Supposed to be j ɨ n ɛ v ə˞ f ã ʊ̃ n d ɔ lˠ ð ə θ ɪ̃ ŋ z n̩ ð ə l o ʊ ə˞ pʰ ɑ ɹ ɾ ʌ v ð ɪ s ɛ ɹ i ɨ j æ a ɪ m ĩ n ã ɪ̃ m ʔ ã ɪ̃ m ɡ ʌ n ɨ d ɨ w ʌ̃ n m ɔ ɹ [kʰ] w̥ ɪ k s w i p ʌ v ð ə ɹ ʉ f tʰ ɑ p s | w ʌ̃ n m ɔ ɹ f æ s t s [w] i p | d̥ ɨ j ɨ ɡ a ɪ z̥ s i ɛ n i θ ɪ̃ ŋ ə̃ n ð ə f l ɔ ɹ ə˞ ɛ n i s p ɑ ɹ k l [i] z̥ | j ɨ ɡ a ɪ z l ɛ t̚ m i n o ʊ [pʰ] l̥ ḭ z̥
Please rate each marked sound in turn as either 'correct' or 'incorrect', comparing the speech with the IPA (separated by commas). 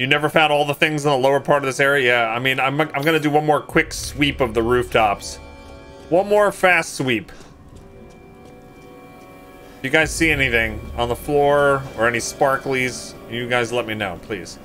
correct, correct, correct, correct